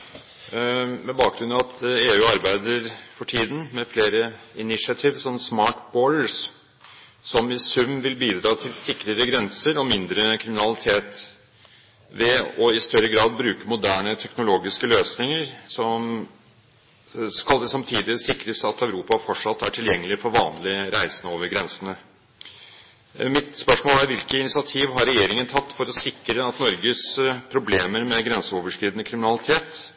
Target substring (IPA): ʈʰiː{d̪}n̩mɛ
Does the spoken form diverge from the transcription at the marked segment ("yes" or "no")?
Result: no